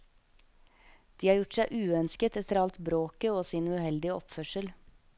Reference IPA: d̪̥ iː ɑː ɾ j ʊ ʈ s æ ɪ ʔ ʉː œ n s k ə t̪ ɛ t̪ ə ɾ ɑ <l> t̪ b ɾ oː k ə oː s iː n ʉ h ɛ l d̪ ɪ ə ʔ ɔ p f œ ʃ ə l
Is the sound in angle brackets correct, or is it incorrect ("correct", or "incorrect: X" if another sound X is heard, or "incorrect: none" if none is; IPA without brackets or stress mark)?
correct